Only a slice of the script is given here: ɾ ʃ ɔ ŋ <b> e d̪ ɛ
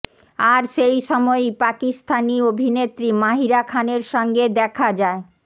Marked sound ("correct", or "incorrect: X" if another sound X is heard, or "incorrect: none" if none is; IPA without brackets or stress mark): incorrect: ɡ